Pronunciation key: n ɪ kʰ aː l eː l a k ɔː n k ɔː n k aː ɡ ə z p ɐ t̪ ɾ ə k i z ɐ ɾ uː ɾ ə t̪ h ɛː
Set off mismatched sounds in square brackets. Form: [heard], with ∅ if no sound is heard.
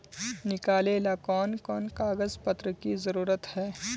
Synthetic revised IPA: n ɪ [k] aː l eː l a k ɔː n k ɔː n k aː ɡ ə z p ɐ t̪ ɾ ə k i z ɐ ɾ uː ɾ ə t̪ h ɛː